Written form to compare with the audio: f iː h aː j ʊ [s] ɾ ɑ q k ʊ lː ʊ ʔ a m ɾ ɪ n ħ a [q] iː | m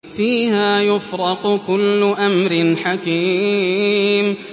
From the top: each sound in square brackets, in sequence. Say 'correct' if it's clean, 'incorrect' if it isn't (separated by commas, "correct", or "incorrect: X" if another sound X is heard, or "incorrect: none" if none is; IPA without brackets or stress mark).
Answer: incorrect: f, incorrect: k